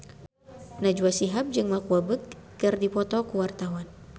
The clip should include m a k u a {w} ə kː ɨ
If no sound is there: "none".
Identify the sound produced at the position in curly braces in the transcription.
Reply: b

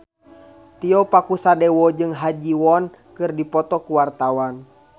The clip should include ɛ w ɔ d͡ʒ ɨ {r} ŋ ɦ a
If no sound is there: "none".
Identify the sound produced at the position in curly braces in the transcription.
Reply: none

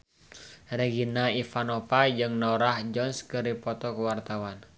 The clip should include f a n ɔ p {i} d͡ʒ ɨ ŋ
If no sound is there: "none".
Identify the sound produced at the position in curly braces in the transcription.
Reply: a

